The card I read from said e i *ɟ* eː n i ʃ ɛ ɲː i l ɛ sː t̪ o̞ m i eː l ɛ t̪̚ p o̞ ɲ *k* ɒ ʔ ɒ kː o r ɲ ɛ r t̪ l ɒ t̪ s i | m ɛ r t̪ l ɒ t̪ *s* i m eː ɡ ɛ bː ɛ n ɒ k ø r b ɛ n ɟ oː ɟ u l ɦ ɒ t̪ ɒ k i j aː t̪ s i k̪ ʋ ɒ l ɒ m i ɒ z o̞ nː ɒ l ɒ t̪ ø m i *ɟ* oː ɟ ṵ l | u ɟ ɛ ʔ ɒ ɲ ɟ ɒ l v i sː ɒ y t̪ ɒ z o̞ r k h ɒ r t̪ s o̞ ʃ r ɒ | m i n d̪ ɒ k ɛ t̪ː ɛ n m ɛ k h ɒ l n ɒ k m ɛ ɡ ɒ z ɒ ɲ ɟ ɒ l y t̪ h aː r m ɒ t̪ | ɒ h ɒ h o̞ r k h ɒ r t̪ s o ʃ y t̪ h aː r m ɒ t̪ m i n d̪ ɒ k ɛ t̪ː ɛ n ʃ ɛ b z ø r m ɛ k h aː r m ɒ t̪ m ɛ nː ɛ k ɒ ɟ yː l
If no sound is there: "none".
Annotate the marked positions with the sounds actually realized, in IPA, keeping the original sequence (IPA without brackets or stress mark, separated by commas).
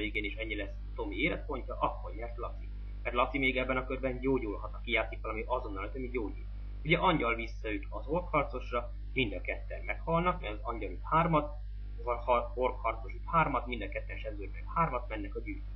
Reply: ɡ, c, s, ɟ